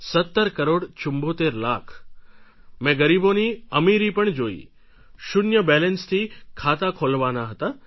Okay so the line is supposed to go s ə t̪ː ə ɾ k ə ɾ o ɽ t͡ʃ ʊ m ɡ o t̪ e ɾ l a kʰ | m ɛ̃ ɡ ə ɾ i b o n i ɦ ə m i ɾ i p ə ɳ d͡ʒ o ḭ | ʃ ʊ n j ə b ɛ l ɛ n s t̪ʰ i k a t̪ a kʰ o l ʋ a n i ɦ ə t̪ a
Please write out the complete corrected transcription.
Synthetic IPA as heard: s ə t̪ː ə ɾ k ə ɾ o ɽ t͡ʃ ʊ m b o t̪ e ɾ l a kʰ | m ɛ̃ ɡ ə ɾ i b o n i ə m i ɾ i p ə ɳ d͡ʒ o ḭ | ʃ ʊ n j ə b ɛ l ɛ n s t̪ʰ i kʰ a t̪ a kʰ o l ʋ a n a ɦ ə t̪ a